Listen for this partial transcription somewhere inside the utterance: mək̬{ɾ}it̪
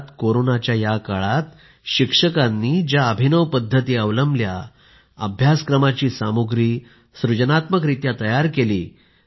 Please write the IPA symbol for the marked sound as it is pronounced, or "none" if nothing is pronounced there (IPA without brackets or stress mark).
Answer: ɾ